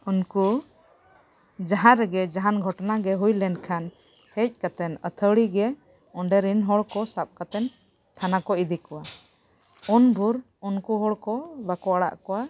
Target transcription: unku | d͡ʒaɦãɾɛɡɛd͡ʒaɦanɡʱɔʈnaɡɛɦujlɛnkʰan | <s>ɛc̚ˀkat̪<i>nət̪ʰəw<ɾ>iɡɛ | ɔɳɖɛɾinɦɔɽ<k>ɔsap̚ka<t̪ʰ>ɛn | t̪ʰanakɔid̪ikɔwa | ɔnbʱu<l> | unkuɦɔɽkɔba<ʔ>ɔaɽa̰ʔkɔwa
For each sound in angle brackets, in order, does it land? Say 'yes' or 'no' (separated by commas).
no, no, no, yes, no, no, no